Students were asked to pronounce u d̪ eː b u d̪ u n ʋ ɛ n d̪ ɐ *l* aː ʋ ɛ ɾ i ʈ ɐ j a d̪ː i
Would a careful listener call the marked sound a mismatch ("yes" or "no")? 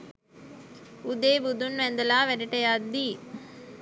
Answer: no